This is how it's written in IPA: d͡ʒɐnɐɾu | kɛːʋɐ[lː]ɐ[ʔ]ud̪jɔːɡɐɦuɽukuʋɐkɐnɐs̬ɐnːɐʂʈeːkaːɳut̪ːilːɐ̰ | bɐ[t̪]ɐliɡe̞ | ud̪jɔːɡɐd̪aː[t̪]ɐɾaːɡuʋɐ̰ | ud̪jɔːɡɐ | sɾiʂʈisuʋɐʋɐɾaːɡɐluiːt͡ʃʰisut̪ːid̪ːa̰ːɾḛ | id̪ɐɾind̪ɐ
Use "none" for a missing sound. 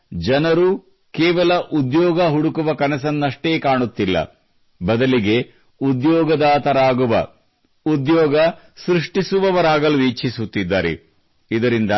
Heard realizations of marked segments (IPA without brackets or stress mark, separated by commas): l, ʔ, d̪, t̪